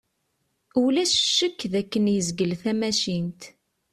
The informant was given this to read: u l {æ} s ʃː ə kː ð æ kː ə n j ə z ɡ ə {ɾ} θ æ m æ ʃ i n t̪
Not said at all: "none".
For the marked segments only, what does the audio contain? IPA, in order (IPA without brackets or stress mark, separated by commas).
æ, l